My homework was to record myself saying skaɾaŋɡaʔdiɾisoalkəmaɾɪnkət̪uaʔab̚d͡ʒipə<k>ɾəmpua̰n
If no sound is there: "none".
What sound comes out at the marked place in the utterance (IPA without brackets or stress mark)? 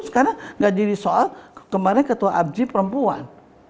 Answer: none